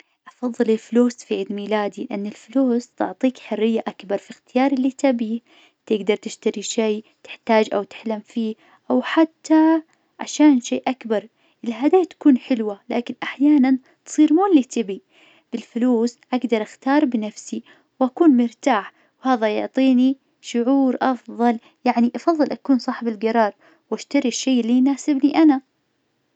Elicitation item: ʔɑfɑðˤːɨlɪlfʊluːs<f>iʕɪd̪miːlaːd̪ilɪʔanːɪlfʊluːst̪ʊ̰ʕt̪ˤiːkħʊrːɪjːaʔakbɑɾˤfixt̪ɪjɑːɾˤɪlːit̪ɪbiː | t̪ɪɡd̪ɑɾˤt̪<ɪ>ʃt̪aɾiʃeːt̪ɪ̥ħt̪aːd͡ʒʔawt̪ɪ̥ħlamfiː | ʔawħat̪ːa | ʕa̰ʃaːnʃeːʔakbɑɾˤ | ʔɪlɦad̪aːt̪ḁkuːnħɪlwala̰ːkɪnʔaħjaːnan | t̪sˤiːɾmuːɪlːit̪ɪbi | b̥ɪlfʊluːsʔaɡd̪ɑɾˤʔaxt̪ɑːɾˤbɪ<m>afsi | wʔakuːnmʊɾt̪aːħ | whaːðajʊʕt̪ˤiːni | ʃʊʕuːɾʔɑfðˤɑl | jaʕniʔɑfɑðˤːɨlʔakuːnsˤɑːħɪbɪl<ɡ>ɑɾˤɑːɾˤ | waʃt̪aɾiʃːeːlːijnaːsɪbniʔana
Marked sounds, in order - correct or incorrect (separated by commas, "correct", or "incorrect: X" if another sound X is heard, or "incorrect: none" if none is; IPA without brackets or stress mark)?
correct, correct, incorrect: n, correct